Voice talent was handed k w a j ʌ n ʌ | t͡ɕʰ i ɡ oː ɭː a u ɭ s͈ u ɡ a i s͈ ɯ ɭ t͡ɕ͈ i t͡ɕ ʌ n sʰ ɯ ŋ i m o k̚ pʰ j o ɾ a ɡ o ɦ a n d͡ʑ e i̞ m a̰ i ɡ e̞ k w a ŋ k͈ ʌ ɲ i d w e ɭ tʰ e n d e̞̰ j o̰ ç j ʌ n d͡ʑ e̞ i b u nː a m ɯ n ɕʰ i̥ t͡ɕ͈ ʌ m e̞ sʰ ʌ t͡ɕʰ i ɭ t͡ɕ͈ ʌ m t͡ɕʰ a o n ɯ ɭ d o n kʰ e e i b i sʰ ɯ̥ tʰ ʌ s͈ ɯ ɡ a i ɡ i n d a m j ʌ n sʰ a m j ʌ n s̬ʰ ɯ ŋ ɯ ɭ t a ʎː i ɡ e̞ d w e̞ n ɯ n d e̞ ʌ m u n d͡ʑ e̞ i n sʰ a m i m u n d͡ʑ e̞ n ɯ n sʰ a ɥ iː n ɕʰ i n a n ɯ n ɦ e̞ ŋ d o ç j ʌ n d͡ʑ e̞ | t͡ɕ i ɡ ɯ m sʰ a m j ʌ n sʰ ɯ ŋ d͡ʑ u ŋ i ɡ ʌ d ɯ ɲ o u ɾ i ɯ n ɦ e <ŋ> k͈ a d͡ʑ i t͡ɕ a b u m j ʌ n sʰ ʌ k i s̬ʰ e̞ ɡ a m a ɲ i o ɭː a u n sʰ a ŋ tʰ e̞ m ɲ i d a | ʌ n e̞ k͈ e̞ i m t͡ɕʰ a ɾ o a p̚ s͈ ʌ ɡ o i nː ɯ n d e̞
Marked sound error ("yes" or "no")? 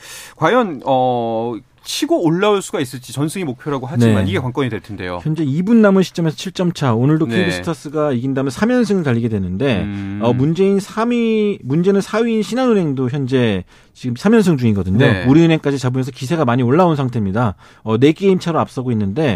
no